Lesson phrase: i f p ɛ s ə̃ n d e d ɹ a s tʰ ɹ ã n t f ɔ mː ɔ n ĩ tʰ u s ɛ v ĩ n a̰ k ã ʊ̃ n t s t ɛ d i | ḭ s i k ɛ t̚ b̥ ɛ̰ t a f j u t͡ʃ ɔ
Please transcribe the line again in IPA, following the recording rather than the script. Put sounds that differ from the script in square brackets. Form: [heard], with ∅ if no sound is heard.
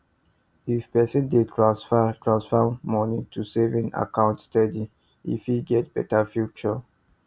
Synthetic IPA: i f p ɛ s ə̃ n d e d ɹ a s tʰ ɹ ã n [s] f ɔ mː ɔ n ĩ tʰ u s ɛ v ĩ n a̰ k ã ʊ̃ n t s t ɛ d i | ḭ [f] i [ɡ] ɛ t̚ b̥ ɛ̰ t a f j u t͡ʃ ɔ